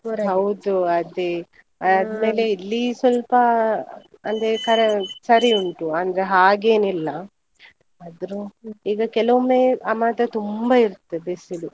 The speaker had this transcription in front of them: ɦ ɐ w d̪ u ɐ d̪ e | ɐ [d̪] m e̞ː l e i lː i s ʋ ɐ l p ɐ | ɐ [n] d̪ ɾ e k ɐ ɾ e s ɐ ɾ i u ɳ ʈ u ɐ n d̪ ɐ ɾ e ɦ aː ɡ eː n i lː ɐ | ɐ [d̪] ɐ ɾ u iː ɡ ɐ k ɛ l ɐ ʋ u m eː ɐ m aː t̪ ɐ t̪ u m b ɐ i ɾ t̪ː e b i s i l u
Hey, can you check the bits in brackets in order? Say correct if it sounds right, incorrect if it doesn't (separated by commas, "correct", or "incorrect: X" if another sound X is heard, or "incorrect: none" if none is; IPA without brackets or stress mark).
correct, correct, correct